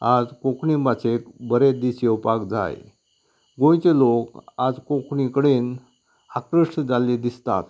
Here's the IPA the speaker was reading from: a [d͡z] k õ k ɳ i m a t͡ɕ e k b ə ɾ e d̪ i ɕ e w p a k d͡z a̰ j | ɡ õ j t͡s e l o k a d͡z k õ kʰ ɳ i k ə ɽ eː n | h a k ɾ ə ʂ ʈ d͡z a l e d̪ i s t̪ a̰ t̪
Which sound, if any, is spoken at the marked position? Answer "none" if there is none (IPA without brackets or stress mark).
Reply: d͡z